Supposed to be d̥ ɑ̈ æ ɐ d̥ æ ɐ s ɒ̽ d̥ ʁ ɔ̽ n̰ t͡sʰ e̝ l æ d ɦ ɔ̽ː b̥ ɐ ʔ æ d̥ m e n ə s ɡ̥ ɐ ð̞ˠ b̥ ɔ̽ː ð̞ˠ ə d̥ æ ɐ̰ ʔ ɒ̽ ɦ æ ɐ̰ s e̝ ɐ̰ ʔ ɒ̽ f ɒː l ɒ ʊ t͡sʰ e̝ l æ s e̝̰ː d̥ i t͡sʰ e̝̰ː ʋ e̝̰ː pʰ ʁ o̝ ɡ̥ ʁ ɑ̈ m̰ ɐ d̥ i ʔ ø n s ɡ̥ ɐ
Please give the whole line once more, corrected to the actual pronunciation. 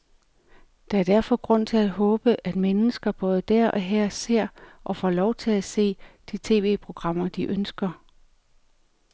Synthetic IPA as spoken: d̥ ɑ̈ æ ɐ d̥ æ ɐ f ɒ̽ ɡ̥ ʁ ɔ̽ n̰ t͡sʰ e̝ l æ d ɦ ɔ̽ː b̥ ə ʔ æ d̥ m e n ə s ɡ̥ ɐ b̥ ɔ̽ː ð̞ˠ ə d̥ æ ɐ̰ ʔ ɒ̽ ɦ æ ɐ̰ s e̝ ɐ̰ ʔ ɒ̽ f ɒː l ɒ ʊ t͡sʰ e̝ l æ s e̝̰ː d̥ i t͡sʰ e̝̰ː ʋ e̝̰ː pʰ ʁ o̝ ɡ̥ ʁ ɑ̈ m̰ ɐ d̥ i ʔ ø n s ɡ̥ ɐ